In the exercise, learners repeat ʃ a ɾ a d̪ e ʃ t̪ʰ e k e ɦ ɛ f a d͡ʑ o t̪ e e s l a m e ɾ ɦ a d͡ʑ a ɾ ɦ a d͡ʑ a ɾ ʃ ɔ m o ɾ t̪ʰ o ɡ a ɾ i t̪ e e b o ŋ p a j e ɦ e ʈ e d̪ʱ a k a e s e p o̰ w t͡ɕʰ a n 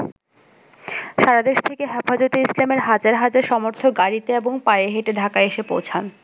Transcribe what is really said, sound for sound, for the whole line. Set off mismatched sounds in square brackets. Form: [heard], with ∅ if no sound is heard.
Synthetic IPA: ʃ a ɾ a d̪ e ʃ t̪ʰ e k e ɦ ɛ f a d͡ʑ o t̪ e [i] s l a m e ɾ ɦ a d͡ʑ a ɾ ɦ a d͡ʑ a ɾ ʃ ɔ m o ɾ t̪ʰ o ɡ a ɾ i t̪ e e b o ŋ p a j e ɦ e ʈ e d̪ʱ a k a e [ʃ] e p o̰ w t͡ɕʰ a n